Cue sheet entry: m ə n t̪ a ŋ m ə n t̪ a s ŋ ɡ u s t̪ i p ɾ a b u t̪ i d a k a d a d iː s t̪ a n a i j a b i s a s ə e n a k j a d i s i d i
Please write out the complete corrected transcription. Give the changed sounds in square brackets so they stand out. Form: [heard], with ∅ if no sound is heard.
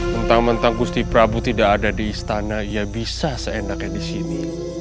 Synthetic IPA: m ə n t̪ a ŋ m ə n t̪ a [∅] ŋ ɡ u s t̪ i p ɾ a b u t̪ i d a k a d a d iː s t̪ a n a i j a b i s a s ə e n a k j a d i s i [n] i